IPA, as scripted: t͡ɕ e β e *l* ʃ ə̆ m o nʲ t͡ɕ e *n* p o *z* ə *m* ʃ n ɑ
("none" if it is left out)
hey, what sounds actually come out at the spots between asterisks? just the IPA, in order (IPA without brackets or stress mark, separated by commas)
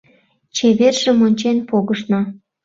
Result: r, n, ɣ, none